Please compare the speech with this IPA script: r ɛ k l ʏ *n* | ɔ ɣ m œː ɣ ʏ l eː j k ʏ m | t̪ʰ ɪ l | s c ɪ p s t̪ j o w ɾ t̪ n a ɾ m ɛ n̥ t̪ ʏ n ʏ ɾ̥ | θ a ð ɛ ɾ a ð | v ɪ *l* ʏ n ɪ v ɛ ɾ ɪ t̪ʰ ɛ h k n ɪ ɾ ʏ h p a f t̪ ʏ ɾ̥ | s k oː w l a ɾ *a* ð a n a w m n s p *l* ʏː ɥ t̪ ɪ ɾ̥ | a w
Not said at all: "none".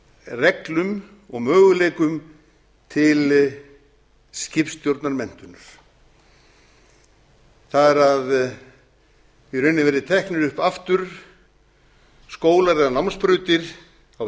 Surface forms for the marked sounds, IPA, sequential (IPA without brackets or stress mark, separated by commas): m, ɾ, ɛ, ɾ